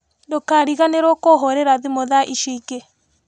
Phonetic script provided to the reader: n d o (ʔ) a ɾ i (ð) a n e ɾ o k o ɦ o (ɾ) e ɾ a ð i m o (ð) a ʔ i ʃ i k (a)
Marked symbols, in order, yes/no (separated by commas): no, no, yes, yes, no